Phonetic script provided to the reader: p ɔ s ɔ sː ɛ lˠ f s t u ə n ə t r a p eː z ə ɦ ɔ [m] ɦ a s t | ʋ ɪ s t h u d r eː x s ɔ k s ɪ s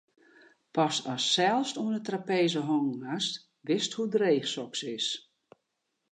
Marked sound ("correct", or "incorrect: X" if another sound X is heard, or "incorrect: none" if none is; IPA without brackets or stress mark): incorrect: ŋ